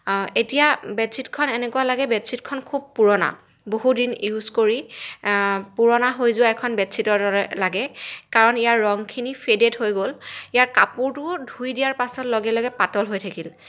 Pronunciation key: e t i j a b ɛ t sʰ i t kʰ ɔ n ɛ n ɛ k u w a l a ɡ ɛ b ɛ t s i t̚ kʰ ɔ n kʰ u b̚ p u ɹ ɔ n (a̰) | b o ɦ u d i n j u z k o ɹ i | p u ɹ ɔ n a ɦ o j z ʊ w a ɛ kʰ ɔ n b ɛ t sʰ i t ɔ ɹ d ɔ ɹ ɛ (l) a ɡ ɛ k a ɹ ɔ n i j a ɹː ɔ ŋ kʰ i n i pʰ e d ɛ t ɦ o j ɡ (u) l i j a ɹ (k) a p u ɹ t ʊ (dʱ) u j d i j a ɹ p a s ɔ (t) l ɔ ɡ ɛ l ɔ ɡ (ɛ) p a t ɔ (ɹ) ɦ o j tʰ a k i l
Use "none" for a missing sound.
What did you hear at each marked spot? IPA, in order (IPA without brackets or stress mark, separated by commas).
a̰, l, o, k, dʱ, t, ɛ, l